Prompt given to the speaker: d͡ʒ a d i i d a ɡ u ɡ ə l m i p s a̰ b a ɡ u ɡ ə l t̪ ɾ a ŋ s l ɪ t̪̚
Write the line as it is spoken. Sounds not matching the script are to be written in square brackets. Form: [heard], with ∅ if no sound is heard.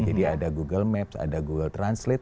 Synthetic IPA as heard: d͡ʒ a d i [a] d a ɡ u ɡ ə l m [ɛ] p s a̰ [d] a ɡ u ɡ ə l t̪ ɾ a [n] s l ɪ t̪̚